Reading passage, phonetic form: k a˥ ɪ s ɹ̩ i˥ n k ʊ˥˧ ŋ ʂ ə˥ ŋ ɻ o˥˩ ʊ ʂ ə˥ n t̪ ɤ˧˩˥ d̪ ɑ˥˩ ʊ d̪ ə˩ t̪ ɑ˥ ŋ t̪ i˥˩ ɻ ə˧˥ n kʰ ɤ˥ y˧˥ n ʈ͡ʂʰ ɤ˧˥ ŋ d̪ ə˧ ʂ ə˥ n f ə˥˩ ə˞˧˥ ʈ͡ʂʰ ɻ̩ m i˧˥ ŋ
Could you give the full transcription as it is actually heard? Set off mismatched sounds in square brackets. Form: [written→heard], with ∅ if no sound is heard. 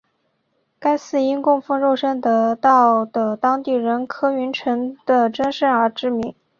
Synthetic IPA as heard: k a˥ ɪ s ɹ̩ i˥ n k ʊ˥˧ ŋ [ʂ→f] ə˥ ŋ ɻ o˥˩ ʊ ʂ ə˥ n t̪ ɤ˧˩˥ [d̪→t̪] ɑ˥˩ ʊ d̪ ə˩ t̪ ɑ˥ ŋ t̪ i˥˩ ɻ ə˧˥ n kʰ ɤ˥ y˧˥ n ʈ͡ʂʰ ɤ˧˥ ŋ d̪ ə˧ [ʂ→ʈ͡ʂ] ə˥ n [f→ʂ] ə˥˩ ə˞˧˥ [ʈ͡ʂʰ→ʈ͡ʂ] ɻ̩ m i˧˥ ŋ